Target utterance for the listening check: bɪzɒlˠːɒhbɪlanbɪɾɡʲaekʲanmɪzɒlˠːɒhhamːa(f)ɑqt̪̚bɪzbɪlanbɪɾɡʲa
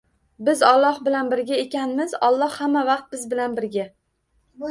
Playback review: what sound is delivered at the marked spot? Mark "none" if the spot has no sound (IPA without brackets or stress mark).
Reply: v